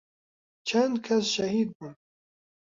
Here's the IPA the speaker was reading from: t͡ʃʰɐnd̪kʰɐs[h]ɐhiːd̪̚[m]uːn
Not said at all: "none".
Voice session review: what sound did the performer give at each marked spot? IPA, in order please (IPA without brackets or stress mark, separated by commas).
ʃ, b